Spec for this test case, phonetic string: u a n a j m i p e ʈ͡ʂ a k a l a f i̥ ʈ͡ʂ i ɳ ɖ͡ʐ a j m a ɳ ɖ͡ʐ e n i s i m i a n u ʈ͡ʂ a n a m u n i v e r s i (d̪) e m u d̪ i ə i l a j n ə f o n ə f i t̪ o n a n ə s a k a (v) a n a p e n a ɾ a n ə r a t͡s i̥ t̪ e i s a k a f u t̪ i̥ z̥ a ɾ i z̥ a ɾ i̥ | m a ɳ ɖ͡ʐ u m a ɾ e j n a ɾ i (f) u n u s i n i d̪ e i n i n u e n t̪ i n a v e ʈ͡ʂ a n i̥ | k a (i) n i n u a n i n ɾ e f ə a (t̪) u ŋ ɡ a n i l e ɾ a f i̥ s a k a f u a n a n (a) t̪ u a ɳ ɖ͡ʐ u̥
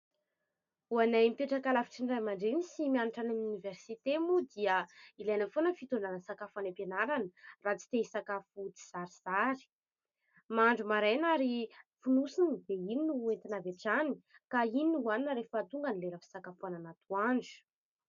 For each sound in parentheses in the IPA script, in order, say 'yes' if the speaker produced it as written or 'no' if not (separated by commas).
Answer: no, no, yes, yes, yes, yes